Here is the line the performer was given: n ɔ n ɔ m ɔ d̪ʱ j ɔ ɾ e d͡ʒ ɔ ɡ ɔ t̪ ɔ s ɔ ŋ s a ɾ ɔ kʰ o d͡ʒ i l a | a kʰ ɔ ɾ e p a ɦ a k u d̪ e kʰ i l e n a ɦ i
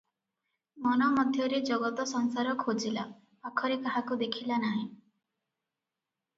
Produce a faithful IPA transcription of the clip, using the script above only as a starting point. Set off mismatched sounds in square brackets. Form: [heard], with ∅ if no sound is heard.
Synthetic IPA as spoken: [m] ɔ n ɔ m ɔ d̪ʱ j ɔ ɾ e d͡ʒ ɔ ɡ ɔ t̪ ɔ s ɔ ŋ s a ɾ ɔ kʰ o d͡ʒ i l a | a kʰ ɔ ɾ e [k] a ɦ a k u d̪ e kʰ i l [a] n a ɦ [ĩ]